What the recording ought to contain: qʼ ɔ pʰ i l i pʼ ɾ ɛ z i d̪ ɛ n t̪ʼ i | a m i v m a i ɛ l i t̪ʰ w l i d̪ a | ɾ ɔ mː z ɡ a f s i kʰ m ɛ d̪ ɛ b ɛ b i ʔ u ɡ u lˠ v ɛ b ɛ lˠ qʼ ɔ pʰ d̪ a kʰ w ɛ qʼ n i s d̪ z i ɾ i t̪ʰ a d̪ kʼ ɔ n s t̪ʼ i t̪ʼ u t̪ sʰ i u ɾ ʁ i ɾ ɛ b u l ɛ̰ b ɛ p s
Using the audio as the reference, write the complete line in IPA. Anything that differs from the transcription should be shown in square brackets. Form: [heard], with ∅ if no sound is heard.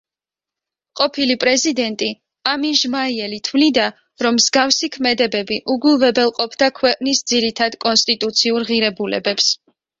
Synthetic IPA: qʼ ɔ pʰ i l i pʼ ɾ ɛ z i d̪ ɛ n t̪ʼ i | a m i [ʒ] m a i ɛ l i t̪ʰ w l i d̪ a | ɾ ɔ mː z ɡ a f s i kʰ m ɛ d̪ ɛ b ɛ b i ʔ u ɡ u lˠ v ɛ b ɛ lˠ qʼ ɔ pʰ d̪ a kʰ w ɛ qʼ n i s d̪ z i ɾ i t̪ʰ a d̪ kʼ ɔ n s t̪ʼ i t̪ʼ u t̪ sʰ i u ɾ ʁ i ɾ ɛ b u l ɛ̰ b ɛ p s